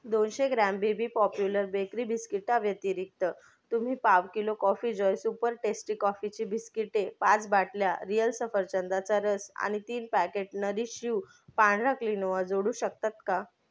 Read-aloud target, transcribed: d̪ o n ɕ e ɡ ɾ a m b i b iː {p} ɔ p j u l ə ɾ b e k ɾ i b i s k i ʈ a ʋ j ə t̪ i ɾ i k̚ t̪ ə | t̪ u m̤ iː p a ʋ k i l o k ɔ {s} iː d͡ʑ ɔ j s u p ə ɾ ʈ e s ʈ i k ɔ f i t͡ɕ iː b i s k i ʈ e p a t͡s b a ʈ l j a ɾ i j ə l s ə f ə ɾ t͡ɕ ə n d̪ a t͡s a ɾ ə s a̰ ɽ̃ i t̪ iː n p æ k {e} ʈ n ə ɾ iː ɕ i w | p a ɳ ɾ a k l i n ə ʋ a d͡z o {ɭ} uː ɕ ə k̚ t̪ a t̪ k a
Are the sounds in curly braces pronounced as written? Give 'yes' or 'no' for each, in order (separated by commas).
yes, no, yes, no